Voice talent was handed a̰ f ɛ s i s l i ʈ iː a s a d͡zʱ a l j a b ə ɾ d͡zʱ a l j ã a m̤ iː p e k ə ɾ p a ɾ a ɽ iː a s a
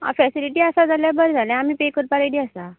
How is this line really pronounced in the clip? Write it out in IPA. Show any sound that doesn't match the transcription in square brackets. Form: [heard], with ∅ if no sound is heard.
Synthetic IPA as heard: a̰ f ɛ s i [∅] l i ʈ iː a s a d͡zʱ a l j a b ə ɾ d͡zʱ a l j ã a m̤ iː p e k ə ɾ p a ɾ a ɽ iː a s a